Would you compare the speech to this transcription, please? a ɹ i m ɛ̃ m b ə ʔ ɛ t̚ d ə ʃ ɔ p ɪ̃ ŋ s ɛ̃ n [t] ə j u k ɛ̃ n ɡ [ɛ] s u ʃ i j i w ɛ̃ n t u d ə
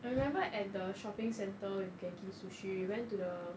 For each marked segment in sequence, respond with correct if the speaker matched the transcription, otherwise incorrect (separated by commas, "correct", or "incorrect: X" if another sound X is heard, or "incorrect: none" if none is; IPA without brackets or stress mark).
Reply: correct, incorrect: i